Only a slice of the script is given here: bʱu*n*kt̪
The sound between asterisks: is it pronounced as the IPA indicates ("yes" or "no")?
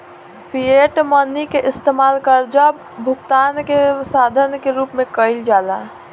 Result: no